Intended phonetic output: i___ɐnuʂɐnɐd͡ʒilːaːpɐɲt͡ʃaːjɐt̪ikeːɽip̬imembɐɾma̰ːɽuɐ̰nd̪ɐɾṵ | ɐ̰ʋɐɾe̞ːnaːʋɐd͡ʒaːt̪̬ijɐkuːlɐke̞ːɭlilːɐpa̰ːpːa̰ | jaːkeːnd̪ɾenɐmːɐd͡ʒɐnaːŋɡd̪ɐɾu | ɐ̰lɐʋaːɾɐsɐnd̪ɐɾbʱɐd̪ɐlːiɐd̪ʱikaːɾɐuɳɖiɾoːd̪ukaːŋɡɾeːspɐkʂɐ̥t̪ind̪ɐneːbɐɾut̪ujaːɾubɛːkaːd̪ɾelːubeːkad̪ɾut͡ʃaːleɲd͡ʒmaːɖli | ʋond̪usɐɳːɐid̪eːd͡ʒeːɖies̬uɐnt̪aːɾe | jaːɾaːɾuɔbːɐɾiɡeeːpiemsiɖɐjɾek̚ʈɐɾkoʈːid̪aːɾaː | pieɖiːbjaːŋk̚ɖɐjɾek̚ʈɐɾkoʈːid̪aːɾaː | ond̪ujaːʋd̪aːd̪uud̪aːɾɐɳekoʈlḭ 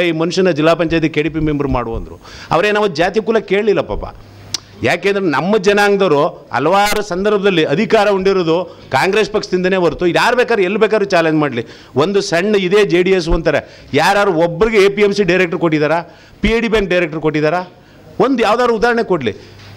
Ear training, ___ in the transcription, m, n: m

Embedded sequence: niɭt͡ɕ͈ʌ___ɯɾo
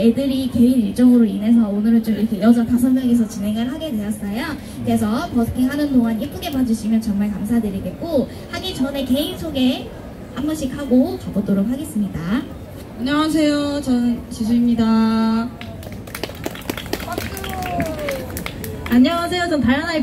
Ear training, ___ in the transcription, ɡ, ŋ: ŋ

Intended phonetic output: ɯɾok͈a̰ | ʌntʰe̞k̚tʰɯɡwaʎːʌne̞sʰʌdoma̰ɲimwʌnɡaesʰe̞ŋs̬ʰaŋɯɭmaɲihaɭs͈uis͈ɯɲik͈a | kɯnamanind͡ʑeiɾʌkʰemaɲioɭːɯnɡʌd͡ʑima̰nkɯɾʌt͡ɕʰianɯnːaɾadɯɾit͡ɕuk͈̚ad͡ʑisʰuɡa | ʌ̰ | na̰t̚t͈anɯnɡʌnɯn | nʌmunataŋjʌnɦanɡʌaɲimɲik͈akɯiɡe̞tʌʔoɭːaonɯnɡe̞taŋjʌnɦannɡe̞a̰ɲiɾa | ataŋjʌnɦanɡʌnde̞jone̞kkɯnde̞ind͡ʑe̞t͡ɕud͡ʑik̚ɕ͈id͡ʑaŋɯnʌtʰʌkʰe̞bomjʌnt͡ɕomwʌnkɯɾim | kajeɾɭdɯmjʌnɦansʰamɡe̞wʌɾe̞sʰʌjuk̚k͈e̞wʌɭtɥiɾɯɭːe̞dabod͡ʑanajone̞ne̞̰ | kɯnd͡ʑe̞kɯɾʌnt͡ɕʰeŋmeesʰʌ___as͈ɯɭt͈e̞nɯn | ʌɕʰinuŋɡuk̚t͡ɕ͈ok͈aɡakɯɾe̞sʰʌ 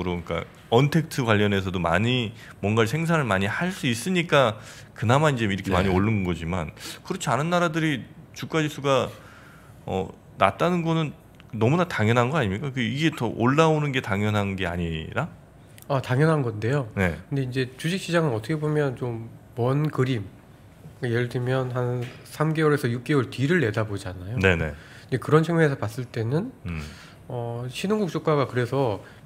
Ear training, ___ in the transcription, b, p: p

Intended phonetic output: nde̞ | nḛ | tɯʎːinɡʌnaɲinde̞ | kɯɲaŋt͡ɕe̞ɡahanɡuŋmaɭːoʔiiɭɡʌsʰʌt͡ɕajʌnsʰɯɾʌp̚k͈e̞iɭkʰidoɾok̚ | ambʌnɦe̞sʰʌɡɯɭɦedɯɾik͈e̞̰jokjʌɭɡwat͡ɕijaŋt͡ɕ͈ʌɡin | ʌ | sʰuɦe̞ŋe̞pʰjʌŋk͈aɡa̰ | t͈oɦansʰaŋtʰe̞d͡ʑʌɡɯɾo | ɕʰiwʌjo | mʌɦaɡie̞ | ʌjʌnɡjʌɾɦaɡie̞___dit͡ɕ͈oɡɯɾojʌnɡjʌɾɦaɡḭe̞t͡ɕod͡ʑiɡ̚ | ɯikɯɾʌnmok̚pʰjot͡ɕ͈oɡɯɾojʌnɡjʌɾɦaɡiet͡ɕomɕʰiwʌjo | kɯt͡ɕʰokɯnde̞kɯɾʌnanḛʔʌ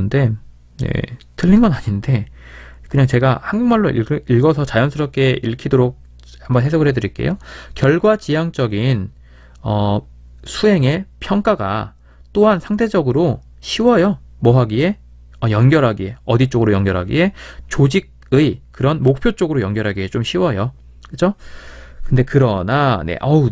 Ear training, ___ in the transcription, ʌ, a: ʌ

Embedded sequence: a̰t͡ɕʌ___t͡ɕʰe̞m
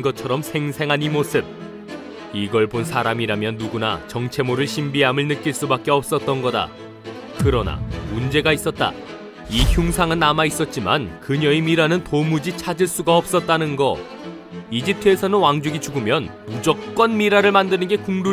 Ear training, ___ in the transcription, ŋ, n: ŋ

